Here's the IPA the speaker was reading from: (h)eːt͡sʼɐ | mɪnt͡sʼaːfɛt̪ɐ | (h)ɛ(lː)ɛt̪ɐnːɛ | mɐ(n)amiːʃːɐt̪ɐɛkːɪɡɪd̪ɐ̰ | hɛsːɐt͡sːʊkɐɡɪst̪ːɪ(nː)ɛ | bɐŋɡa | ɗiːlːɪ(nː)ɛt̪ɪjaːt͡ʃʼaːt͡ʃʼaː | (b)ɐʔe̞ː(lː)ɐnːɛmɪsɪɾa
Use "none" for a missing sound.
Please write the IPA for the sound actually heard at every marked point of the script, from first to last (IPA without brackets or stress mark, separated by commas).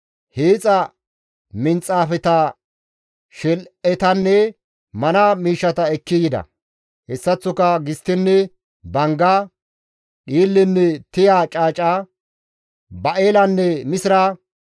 h, ʃ, l, n, nː, nː, b, l